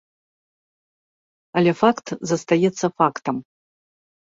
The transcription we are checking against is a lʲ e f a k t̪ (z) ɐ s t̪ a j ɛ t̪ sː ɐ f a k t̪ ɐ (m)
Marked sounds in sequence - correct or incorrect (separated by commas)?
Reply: correct, correct